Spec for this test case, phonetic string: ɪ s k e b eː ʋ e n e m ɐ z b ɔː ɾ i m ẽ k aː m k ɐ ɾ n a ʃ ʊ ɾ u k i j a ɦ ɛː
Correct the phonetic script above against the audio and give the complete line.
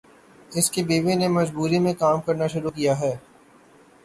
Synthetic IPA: ɪ s k e b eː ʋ e n e m ɐ z b uː ɾ i m ẽ k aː m k ɐ ɾ n a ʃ ʊ ɾ u k i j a ɦ ɛː

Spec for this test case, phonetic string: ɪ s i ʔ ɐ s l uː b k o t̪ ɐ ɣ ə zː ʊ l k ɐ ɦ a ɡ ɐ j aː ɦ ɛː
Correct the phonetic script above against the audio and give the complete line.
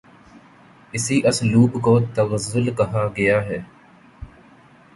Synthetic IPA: ɪ s i ʔ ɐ s l uː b k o t̪ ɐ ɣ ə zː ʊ l k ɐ ɦ a ɡ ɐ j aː ɦ ɛː

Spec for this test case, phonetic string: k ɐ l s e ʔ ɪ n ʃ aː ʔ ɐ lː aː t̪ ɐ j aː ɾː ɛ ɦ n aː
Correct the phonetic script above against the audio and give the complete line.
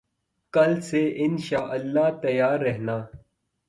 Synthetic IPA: k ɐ l s e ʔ ɪ n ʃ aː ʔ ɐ lː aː t̪ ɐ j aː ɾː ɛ ɦ n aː

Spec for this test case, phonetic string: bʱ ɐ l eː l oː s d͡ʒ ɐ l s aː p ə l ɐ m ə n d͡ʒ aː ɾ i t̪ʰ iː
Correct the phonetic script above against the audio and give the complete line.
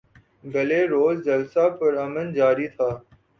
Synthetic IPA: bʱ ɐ l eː ɾ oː z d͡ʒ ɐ l s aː p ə ɾ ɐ m ə n d͡ʒ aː ɾ i t̪ʰ aː

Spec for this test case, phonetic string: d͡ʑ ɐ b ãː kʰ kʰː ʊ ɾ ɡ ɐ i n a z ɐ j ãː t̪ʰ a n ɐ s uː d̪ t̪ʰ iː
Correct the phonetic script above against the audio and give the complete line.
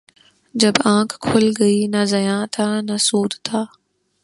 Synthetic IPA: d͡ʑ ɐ b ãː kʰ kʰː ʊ l ɡ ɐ i n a z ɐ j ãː t̪ʰ a n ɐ s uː d̪ t̪ʰ aː

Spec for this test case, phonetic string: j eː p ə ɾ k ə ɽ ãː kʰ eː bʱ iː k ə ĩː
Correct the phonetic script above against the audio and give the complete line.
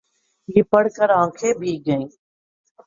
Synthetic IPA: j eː p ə ɽ k ə ɾ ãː kʰ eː bʱ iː ɡ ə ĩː

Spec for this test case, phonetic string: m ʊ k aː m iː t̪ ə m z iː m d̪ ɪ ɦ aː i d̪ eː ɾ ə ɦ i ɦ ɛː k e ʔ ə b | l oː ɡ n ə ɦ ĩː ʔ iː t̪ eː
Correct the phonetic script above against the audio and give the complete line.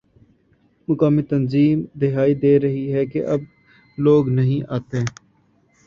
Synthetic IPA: m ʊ k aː m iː t̪ ə n z iː m d̪ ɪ ɦ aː i d̪ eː ɾ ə ɦ i ɦ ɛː k e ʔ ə b | l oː ɡ n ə ɦ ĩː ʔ aː t̪ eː

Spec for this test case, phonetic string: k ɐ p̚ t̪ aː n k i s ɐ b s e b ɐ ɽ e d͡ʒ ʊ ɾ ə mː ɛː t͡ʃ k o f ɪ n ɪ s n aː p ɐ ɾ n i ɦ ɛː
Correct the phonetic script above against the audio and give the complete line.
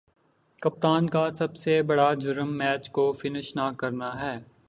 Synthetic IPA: k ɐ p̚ t̪ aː n k a s ɐ b s e b ɐ ɽ a d͡ʒ ʊ ɾ ə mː ɛː t͡ʃ k o f ɪ n ɪ ʃ n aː k ɐ ɾ n a ɦ ɛː

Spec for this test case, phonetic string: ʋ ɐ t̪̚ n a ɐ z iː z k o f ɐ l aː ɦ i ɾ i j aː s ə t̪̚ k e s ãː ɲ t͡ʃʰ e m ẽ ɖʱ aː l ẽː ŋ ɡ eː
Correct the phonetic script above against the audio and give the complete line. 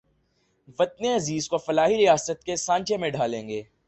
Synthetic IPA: ʋ ɐ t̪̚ n e ɐ z iː z k o f ɐ l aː ɦ i ɾ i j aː s ə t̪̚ k e s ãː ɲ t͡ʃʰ e m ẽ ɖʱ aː l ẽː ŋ ɡ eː

